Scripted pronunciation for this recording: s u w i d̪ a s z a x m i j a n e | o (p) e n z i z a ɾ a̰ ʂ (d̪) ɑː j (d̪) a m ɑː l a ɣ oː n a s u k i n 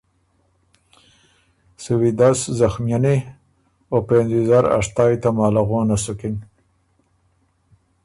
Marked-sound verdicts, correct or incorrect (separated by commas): correct, incorrect, incorrect